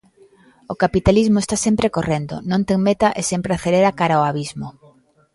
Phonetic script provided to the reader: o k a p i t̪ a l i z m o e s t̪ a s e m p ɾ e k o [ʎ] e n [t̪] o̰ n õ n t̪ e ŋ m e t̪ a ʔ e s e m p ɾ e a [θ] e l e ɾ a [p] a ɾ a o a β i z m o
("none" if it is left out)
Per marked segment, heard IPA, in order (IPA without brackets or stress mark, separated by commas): r, d̪, θ, k